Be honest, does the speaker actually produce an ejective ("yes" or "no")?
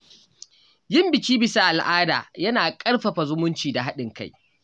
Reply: yes